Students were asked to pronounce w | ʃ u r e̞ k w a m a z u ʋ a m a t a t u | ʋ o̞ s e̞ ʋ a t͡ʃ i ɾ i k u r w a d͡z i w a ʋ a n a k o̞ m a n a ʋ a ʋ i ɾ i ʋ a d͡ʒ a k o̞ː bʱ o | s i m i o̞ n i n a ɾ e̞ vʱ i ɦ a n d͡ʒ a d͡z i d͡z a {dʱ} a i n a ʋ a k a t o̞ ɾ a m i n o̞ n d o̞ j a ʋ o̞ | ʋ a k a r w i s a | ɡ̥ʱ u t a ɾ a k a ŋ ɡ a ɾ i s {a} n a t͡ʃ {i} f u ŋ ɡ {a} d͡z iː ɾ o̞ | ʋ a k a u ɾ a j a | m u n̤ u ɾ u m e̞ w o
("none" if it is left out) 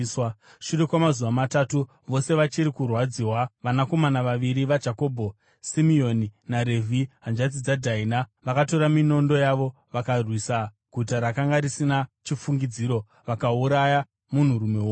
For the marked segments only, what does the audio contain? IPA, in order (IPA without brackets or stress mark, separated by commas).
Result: dʱ, i, i, i